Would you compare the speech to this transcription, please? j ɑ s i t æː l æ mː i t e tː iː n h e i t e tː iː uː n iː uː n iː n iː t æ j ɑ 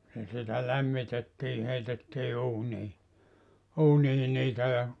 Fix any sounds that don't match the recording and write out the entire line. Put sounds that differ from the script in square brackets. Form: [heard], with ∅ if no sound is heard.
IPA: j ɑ s i t [æ] l æ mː i t e tː iː [∅] h e i t e tː iː uː n iː uː n iː n iː t æ j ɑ